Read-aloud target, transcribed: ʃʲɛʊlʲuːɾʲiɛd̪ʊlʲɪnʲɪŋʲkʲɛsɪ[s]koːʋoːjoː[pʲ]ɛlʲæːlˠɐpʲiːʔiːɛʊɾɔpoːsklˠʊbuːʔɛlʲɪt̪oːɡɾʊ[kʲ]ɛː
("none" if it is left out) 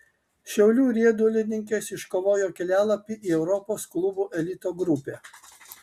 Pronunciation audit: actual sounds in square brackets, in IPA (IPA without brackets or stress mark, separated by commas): ʃ, kʲ, pʲ